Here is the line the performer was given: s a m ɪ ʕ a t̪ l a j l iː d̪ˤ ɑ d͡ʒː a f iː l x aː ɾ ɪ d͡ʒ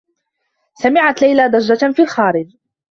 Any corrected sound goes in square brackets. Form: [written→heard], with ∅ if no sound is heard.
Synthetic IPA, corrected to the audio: s a m ɪ ʕ a t̪ l a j l [iː→aː] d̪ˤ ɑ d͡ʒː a f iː l x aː ɾ ɪ d͡ʒ